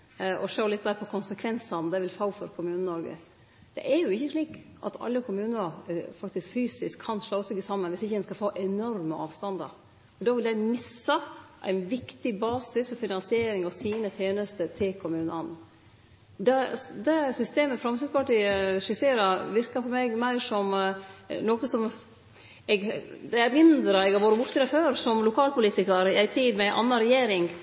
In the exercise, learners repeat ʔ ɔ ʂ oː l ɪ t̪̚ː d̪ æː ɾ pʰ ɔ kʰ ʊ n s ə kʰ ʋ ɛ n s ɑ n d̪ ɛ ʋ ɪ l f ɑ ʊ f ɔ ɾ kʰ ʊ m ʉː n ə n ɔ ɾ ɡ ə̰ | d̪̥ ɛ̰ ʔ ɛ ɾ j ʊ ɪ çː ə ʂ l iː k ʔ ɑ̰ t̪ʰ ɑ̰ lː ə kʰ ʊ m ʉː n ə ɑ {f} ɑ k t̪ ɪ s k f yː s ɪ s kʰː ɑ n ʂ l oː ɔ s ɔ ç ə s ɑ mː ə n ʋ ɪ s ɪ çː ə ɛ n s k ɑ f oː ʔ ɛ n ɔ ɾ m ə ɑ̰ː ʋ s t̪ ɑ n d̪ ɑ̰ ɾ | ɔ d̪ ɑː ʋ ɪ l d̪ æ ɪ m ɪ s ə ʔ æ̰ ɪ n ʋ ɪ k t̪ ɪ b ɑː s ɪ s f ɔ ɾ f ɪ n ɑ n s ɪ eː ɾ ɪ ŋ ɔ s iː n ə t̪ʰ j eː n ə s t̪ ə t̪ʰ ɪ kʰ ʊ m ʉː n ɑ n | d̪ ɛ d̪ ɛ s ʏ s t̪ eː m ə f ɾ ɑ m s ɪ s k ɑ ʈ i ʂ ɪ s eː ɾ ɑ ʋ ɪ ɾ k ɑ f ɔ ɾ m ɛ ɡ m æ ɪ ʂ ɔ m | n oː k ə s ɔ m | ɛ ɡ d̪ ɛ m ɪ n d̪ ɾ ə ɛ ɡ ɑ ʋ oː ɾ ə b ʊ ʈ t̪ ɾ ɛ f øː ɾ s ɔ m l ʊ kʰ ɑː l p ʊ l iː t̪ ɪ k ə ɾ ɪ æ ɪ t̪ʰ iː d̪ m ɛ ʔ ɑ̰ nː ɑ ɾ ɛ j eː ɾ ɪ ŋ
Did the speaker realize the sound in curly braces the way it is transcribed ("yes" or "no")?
yes